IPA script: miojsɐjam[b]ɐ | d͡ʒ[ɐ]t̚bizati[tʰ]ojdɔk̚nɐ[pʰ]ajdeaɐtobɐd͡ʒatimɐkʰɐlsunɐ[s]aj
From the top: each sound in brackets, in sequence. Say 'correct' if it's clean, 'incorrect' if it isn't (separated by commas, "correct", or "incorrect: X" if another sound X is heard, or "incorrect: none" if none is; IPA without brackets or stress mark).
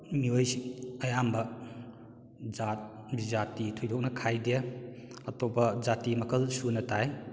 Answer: correct, incorrect: a, correct, incorrect: kʰ, incorrect: t